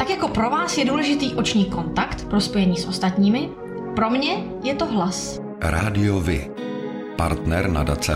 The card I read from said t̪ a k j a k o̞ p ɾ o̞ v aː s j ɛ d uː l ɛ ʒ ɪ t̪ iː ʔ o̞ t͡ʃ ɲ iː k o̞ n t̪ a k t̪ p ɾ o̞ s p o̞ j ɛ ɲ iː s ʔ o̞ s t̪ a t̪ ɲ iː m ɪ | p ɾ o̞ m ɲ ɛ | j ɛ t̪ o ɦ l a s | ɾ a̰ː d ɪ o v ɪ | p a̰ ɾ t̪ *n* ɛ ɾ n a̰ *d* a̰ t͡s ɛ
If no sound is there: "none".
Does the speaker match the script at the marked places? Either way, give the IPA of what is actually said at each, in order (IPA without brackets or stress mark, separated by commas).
n, d